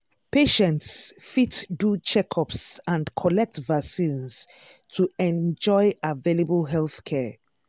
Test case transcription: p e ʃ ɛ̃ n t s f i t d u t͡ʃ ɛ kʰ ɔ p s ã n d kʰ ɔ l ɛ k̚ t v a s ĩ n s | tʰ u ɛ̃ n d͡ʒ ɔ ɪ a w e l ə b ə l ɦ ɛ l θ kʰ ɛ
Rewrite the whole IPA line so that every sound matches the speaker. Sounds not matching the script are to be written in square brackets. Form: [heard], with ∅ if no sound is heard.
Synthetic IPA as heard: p e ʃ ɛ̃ n t s f i t d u t͡ʃ ɛ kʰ ɔ p s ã n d kʰ ɔ l ɛ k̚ t v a s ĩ n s | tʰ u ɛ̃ n d͡ʒ ɔ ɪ a [v] e l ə b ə l ɦ ɛ l θ kʰ ɛ